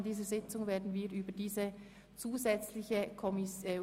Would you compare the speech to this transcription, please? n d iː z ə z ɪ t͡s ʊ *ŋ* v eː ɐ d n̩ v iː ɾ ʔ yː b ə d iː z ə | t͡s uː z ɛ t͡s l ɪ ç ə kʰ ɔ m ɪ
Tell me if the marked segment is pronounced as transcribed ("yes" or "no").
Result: yes